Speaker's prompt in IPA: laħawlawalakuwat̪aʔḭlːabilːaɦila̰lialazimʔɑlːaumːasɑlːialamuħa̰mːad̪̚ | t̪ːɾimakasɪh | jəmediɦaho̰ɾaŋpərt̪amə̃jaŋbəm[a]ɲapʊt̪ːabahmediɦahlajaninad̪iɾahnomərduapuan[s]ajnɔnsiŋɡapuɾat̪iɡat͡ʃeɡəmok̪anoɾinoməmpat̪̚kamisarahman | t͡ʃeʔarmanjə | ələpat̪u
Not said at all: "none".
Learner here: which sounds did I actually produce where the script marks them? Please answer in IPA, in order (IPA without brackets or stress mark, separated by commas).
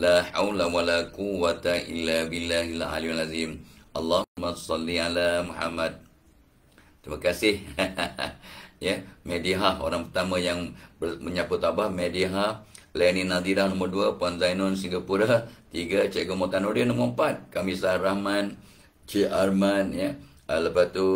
ə, z